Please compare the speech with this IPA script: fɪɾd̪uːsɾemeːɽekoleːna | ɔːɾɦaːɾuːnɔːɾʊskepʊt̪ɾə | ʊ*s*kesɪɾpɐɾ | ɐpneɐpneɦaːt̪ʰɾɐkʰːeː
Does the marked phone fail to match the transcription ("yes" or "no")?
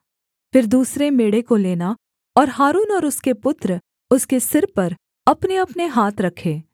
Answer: no